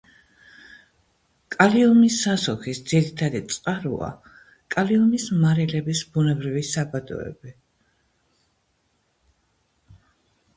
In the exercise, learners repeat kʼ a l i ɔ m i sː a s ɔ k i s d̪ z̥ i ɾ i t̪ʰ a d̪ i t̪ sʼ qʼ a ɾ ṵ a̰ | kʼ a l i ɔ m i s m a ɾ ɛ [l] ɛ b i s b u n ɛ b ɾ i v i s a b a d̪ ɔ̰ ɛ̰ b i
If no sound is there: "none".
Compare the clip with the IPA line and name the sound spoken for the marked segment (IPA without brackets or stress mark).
l